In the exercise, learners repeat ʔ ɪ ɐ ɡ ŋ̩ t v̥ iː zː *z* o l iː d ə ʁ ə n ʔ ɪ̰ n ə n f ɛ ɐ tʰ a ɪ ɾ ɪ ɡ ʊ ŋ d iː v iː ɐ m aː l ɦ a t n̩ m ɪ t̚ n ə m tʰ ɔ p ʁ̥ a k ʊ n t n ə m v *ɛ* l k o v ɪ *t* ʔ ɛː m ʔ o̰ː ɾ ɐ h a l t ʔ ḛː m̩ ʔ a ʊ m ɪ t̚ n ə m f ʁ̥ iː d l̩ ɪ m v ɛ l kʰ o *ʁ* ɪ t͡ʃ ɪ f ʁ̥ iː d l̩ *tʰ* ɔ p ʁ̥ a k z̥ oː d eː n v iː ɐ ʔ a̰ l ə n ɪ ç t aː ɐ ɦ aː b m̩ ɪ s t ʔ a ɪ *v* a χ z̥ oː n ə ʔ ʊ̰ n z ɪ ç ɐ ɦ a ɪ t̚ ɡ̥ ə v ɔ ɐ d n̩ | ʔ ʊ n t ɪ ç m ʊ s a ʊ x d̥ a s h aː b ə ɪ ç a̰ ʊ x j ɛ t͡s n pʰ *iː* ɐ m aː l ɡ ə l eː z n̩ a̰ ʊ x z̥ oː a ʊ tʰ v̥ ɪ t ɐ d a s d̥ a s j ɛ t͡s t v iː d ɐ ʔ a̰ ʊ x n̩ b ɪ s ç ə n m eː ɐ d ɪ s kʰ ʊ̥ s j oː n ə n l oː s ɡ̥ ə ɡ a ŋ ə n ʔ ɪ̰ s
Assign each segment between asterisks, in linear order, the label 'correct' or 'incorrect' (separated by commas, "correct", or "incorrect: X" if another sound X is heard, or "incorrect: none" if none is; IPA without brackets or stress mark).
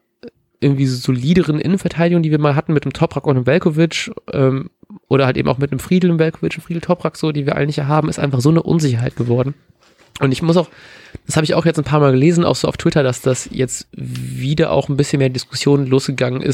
correct, correct, incorrect: t͡ʃ, incorrect: v, correct, incorrect: f, incorrect: aː